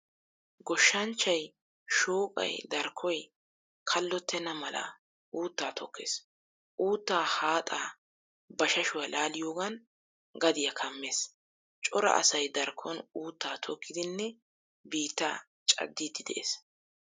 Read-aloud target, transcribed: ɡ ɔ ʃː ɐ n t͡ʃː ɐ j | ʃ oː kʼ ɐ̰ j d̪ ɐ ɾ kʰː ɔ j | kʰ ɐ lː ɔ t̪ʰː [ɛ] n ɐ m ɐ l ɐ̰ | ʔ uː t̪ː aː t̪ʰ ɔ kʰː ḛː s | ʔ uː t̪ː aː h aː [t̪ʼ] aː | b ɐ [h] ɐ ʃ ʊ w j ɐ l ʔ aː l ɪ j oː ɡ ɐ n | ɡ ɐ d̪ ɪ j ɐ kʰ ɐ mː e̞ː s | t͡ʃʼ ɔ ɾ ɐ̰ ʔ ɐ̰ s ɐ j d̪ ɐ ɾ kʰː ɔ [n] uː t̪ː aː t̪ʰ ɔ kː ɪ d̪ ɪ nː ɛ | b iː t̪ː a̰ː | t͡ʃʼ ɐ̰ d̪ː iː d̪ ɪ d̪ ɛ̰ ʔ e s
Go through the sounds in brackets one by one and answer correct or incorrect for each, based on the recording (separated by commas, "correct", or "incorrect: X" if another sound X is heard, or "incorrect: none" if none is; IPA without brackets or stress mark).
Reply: correct, correct, incorrect: ʃ, correct